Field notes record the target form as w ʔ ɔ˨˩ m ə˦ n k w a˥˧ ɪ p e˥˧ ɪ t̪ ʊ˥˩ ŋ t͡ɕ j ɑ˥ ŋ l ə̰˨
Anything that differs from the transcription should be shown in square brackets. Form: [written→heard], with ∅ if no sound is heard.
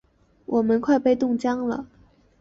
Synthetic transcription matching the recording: w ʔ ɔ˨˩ m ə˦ n [k→kʰ] w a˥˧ ɪ p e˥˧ ɪ t̪ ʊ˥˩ ŋ t͡ɕ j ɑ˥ ŋ l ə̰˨